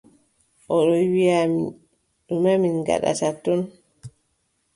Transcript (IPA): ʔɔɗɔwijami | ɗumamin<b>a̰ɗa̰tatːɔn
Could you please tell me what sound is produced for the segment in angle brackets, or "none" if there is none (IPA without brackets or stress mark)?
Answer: ɡ